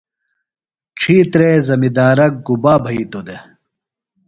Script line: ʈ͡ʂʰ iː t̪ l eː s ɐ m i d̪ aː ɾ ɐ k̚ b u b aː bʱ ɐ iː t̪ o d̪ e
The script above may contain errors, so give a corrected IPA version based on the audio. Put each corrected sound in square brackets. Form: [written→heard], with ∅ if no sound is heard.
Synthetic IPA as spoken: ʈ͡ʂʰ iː t̪ [l→ɾ] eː [s→z] ɐ m i d̪ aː ɾ ɐ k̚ [b→ɡ] u b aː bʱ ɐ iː t̪ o d̪ e